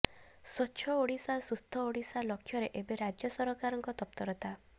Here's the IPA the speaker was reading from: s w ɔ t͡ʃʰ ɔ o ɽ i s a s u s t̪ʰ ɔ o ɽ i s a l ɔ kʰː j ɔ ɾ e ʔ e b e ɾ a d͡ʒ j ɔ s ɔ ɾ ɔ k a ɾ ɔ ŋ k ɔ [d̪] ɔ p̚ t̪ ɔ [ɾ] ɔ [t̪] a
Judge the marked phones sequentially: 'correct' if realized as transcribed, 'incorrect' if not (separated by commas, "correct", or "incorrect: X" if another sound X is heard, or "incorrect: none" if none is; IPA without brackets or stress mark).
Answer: incorrect: t̪, correct, correct